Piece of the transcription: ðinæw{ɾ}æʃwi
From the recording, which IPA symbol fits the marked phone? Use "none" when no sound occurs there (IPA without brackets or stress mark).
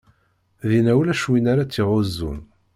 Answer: l